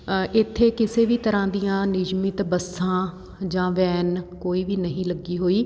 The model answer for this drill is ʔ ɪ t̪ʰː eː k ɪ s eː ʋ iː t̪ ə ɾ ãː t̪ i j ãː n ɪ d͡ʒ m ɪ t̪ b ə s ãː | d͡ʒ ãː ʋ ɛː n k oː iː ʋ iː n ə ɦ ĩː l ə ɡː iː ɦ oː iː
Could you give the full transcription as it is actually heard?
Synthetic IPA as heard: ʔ ɪ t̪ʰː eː k ɪ s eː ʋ iː t̪ ə ɾ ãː d̪ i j ãː n ɪ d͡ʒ m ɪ t̪ b ə s ãː | d͡ʒ ãː ʋ ɛː n k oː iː ʋ iː n ə ɦ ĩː l ə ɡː iː ɦ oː iː